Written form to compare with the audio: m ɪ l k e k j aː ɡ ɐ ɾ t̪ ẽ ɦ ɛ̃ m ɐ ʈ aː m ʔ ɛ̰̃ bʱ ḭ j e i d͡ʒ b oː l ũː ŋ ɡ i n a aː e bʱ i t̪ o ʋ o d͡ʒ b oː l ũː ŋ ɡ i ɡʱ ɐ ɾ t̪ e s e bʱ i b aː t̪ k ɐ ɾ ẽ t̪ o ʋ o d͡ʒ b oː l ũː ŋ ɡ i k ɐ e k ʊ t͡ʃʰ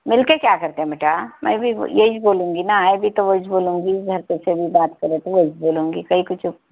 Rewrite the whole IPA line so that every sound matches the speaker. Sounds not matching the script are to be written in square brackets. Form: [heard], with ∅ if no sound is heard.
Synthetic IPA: m ɪ l k e k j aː [k] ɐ ɾ t̪ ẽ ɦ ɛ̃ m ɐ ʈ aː m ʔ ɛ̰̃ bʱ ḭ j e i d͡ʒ b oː l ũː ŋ ɡ i n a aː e bʱ i t̪ o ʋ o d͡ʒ b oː l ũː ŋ ɡ i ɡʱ ɐ ɾ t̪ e s e bʱ i b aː t̪ k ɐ ɾ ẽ t̪ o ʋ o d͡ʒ b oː l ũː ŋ ɡ i k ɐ [i] k ʊ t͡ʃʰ